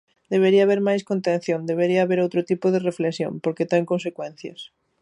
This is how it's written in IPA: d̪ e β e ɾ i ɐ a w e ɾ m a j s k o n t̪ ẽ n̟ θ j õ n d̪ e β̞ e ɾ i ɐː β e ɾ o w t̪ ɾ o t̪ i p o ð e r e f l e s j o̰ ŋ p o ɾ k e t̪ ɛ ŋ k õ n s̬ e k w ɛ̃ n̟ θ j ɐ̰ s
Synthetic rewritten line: d̪ e β e ɾ i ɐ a β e ɾ m a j s k o n t̪ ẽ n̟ θ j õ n d̪ e β̞ e ɾ i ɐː β e ɾ o w t̪ ɾ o t̪ i p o ð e r e f l e s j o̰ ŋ p o ɾ k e t̪ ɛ ŋ k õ n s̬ e k w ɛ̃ n̟ θ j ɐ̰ s